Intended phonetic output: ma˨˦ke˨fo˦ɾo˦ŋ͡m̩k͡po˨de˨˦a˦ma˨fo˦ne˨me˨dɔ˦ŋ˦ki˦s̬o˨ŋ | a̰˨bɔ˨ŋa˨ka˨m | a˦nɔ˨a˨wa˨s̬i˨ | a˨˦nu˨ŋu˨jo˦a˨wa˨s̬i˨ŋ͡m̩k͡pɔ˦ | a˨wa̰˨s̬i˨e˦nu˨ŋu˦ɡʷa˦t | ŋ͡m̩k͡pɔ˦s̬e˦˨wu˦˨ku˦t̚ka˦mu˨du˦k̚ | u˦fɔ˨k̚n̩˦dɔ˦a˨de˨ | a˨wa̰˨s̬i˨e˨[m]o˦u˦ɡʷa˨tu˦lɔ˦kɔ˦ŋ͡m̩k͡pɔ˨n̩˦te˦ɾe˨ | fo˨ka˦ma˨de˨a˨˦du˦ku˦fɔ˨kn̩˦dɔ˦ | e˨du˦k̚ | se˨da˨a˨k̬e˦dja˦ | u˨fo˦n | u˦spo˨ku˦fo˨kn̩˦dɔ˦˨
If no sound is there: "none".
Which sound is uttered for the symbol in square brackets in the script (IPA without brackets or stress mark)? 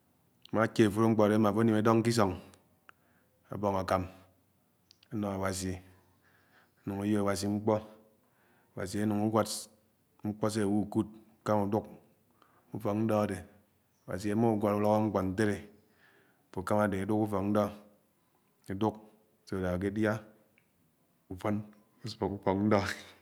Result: m